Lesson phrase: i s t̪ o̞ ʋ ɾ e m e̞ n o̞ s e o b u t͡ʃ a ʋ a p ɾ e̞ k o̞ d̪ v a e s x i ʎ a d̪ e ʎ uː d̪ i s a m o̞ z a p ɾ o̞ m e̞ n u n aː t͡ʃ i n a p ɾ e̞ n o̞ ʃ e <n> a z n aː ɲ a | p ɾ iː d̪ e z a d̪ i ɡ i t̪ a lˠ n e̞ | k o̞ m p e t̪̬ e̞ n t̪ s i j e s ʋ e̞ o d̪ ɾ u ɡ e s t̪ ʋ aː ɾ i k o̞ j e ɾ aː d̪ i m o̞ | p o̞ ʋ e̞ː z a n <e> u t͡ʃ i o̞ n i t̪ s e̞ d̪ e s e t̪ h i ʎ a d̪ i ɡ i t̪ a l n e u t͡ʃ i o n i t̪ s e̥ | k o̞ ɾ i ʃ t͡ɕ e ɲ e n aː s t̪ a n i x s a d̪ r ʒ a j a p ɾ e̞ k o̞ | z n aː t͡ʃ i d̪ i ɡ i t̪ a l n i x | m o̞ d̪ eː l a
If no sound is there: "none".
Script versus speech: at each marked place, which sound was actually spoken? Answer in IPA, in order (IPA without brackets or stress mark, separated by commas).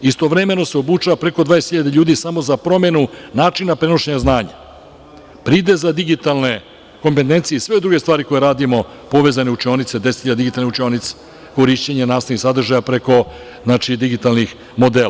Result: ɲ, e